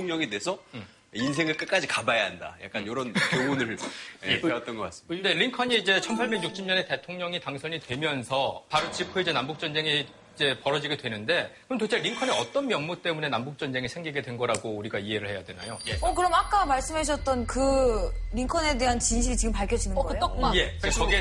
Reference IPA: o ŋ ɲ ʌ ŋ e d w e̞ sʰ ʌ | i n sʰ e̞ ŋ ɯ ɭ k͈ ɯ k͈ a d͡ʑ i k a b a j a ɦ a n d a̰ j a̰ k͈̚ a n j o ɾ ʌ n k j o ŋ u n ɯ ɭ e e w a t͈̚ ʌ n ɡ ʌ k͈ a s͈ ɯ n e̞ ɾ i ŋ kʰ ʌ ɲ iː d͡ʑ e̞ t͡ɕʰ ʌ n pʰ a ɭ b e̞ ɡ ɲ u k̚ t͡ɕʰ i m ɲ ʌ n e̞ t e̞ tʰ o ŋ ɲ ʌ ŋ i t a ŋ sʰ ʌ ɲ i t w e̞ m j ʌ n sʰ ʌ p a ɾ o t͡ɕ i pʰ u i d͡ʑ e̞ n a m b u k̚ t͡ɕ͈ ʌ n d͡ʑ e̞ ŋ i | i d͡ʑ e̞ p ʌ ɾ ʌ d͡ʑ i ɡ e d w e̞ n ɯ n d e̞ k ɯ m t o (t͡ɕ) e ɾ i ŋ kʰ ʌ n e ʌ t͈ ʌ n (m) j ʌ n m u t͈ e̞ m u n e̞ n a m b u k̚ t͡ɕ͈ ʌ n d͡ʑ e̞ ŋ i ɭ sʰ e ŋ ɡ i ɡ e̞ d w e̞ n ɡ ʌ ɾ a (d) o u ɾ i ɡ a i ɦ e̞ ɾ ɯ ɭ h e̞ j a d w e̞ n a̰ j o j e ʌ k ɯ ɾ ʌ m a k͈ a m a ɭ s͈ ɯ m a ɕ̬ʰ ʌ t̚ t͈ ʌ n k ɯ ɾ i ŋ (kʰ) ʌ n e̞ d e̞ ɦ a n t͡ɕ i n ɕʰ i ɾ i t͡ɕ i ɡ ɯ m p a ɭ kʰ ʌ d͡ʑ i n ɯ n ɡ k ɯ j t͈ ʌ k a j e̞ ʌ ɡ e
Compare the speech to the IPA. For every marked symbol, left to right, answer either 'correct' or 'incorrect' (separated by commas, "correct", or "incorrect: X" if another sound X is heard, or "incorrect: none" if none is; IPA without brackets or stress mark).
incorrect: t͡ɕʰ, correct, incorrect: ɡ, correct